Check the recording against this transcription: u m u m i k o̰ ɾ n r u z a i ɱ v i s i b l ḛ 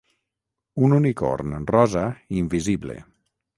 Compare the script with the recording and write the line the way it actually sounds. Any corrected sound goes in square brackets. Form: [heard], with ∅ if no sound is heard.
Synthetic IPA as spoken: u [n] u [n] i k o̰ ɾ n r [ɔ] z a i ɱ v i [z] i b l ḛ

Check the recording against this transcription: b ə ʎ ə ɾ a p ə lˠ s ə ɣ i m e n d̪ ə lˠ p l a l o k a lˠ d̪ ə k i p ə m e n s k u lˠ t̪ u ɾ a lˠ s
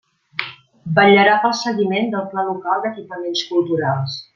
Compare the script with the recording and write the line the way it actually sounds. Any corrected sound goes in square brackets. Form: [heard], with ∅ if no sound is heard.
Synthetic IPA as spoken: b ə ʎ ə ɾ a p ə lˠ s ə ɣ i m e n d̪ ə lˠ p l a l [u] k a lˠ d̪ ə k i p ə m e n s k u lˠ t̪ u ɾ a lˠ s

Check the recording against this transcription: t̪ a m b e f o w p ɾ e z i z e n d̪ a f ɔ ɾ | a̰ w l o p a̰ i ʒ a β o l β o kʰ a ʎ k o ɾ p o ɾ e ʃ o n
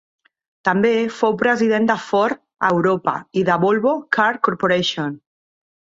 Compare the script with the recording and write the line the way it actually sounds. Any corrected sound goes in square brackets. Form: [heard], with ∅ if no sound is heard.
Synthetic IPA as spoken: t̪ a m b e f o w p ɾ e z i [ð] e n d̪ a f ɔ ɾ | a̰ w [ɾ] o p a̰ i [ð] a β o l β o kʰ a [ɾ] k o ɾ p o ɾ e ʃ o n

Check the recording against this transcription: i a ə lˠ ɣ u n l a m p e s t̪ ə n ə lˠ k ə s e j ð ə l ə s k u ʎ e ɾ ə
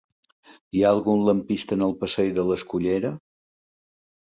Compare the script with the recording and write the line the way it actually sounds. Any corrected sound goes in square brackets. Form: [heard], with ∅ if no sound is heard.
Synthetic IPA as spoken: i a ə lˠ ɣ u n l [ə] m p [i] s t̪ ə n ə lˠ [p] ə s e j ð ə l ə s k u ʎ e ɾ ə

